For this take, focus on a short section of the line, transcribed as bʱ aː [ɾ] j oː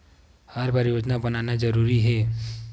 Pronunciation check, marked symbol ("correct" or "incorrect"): correct